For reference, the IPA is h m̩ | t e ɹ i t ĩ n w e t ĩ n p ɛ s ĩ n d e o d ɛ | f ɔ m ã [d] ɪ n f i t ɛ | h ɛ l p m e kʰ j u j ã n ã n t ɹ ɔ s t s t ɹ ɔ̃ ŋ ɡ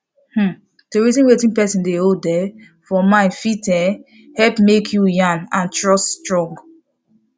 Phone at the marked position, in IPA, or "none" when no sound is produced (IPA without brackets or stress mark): none